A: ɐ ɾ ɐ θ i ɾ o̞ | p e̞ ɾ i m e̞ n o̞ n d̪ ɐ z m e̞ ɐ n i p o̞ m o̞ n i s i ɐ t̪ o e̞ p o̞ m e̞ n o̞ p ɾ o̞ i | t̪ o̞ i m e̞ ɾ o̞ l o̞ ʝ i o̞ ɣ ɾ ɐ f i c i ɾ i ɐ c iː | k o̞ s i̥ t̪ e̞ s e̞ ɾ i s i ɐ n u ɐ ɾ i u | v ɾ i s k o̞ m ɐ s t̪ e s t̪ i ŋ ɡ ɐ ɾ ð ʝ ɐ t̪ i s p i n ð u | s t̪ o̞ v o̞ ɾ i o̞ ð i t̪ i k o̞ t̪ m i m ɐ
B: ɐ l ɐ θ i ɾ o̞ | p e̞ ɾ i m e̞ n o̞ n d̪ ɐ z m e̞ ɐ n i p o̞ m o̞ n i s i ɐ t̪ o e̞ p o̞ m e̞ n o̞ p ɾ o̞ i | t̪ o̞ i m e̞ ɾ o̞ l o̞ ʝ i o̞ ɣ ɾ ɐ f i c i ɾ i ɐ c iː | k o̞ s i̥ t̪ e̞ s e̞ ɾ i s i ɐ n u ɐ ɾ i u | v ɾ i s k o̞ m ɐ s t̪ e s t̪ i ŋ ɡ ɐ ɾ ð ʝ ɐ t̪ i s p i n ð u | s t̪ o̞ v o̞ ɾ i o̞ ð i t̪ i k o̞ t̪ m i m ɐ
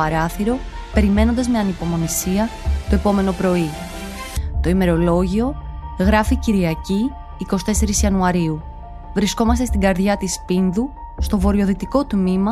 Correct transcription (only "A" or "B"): A